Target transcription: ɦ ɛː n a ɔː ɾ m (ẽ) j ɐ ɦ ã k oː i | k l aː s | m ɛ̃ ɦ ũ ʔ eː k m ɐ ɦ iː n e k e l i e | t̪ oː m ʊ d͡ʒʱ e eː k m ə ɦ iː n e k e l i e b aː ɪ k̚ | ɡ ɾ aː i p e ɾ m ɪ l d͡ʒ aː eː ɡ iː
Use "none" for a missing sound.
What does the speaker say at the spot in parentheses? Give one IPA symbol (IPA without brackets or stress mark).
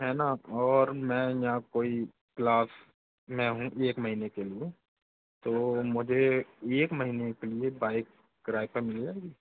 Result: ɛ̃